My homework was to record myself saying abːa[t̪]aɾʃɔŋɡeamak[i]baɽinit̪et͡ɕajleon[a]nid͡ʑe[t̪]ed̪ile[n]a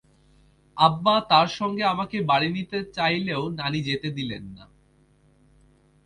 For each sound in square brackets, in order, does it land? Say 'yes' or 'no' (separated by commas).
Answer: yes, no, yes, yes, no